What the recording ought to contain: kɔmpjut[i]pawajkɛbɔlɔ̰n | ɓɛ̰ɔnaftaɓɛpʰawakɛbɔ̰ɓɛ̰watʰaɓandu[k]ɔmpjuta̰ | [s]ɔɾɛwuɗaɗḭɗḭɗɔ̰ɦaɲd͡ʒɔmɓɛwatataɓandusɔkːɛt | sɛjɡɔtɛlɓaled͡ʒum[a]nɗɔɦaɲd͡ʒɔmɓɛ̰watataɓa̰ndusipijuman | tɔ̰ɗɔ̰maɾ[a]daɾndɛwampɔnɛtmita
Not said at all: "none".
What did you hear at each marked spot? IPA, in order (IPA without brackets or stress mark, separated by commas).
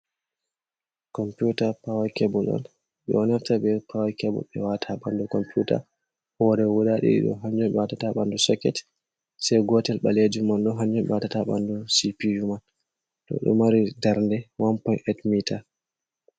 a, k, h, a, i